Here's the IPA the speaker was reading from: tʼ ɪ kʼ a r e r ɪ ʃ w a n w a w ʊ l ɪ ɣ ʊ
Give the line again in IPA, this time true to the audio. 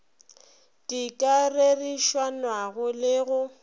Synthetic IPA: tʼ i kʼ a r e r i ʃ w a n w a ɣ ʊ l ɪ ɣ ʊ